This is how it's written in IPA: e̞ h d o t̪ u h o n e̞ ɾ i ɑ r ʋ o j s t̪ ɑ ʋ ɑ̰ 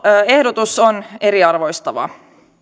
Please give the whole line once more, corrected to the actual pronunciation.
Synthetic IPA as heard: e̞ h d o t̪ u s o n e̞ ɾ i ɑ r ʋ o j s t̪ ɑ ʋ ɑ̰

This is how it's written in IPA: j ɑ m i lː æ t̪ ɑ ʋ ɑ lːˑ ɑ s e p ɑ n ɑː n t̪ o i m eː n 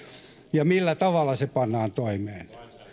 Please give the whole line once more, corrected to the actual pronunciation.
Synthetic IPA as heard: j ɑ m i lː æ t̪ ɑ ʋ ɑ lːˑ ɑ s e p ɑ nː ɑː n t̪ o i m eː n

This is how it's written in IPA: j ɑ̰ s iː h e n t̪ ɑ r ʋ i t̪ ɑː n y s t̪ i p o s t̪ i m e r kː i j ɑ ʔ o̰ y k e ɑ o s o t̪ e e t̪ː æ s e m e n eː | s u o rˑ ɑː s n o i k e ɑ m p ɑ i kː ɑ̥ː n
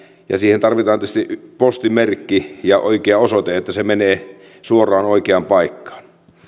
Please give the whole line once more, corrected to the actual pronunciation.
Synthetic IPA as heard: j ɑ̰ s iː h e n t̪ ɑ r ʋ i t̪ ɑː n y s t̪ i p o s t̪ i m e r kː i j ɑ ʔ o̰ i k e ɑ o s o t̪ e e t̪ː æ s e m e n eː | s u o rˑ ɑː n o i k e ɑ m p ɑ i kː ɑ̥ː n

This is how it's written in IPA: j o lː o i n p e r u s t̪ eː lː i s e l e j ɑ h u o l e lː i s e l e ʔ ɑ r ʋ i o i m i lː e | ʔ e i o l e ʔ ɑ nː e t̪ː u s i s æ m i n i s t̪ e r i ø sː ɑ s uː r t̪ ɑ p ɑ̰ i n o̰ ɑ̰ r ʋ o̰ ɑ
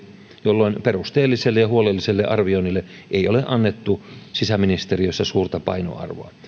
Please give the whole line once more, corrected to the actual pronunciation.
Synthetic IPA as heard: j o lː o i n p e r u s t̪ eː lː i s e lː e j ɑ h u o l e lː i s e lː e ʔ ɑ r ʋ i o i n i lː e | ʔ e i o l e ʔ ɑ nː e t̪ː u s i s æ m i n i s t̪ e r i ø sː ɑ s uː r t̪ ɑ p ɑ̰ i n o̰ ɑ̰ r ʋ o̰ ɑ

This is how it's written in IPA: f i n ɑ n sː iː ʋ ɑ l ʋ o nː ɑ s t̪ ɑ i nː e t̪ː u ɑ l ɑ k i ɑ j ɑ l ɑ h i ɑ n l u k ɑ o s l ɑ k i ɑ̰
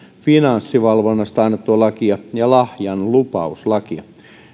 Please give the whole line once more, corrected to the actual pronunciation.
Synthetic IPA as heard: f i n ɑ n sː i ʋ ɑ l ʋ o nː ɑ s t̪ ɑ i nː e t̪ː u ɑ l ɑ k i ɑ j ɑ l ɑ h j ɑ n l u p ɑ u s l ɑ k i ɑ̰

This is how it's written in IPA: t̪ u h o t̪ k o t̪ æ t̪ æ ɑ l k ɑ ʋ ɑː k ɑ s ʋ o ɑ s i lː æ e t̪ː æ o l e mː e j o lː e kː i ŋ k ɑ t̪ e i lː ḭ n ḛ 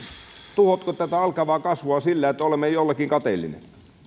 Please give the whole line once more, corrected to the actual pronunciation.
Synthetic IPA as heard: t̪ u h o t̪ k o t̪ æ t̪ æ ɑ l k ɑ ʋ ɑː k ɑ s ʋ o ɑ s i lː æ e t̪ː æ o l e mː e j o lː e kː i ŋ k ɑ t̪ e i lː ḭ n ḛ

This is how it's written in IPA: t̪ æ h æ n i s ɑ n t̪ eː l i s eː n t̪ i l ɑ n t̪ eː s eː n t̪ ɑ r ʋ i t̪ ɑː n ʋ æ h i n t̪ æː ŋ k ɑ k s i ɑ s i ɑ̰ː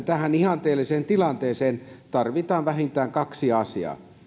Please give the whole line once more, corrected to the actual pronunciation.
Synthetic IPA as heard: t̪ æ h æ n i h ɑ n t̪ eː l i s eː n t̪ i l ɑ n t̪ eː s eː n t̪ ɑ r ʋ i t̪ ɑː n ʋ æ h i n t̪ æː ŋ k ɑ k s i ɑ s i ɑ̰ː

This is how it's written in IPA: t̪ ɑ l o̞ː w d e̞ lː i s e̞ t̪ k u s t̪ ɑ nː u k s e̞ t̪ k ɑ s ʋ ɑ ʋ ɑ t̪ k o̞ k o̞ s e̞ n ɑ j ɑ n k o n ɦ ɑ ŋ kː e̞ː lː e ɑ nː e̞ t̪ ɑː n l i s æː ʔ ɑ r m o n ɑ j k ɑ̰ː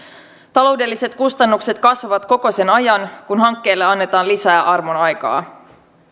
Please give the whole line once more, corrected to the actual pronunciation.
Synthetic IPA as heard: t̪ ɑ l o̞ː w d e̞ lː i s e̞ t̪ k u s t̪ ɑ nː u k s e̞ t̪ k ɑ s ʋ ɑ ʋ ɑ t̪ k o̞ k o̞ s e̞ n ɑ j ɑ n k u n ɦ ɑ ŋ kː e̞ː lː e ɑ nː e̞ t̪ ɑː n l i s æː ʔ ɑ r m o n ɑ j k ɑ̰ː

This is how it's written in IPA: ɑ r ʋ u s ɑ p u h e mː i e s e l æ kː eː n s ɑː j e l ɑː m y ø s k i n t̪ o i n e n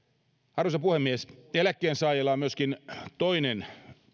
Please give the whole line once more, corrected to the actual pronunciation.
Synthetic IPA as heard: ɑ r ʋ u s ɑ p u h e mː i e s e l æ kː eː n s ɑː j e l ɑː m y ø s k i n t̪ o i n e n

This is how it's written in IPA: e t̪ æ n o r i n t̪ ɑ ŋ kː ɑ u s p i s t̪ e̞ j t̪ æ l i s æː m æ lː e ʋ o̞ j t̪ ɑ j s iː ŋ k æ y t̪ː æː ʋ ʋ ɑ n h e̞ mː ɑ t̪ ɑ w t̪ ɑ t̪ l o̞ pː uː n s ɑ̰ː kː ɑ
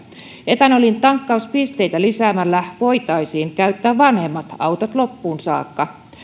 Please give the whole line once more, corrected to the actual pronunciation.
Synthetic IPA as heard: e t̪ æ n o l i n t̪ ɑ ŋ kː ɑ u s p i s t̪ e̞ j t̪ æ l i s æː m æ lː æ ʋ o̞ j t̪ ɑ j s iː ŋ k æ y t̪ː æː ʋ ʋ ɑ n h e̞ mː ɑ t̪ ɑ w t̪ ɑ t̪ l o̞ pː uː n s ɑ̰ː kː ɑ

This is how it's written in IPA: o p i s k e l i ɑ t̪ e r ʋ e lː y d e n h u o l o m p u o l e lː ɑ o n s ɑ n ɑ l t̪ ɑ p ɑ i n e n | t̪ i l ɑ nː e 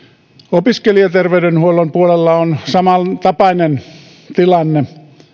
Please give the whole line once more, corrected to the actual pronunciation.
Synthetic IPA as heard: o p i s k e l i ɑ t̪ e r ʋ e y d e n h u o l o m p u o l e lː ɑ o n s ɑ m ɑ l t̪ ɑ p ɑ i n e n | t̪ i l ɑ nː e

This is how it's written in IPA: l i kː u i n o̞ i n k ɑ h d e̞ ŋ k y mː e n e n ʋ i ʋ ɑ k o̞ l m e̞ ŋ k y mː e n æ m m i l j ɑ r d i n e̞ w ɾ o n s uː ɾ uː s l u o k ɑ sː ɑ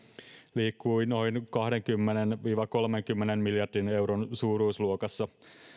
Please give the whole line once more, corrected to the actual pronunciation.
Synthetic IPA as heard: l iː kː u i n o̞ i n k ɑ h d e̞ ŋ k y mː e n e n ʋ iː ʋ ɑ k o̞ l m e̞ ŋ k y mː e n e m m i l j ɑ r d i n e̞ w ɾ o n s uː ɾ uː s l u o k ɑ sː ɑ

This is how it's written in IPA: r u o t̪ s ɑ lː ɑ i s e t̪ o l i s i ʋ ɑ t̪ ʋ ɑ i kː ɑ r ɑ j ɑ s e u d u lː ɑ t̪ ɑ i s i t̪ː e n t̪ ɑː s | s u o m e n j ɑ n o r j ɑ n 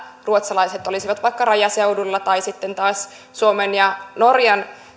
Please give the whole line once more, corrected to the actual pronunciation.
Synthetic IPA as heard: r u o t̪ s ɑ l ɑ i s e t̪ o l i s i ʋ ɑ t̪ ʋ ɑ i kː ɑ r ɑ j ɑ s e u d u lː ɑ t̪ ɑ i s i t̪ː e n t̪ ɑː s | s u o m e n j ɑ n o r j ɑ n

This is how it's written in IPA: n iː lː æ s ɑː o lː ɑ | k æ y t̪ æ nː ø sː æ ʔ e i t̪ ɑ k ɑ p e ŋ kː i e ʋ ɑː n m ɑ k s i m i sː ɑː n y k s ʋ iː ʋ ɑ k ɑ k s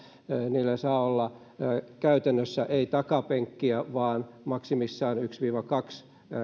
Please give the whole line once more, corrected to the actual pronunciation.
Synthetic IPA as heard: n iː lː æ s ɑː o lː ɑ | k æ y t̪ æ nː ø sː æ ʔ e i t̪ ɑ k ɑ p e ŋ kː i æ ʋ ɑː n m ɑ k s i m i sː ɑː n y k s ʋ iː ʋ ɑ k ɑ k s

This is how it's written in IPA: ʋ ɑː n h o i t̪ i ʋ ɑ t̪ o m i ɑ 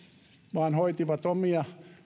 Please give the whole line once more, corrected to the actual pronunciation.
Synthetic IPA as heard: ʋ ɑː n h o i t̪ i ʋ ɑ t̪ o m i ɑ

